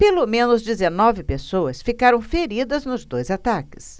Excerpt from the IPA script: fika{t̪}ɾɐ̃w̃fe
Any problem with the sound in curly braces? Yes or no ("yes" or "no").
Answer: yes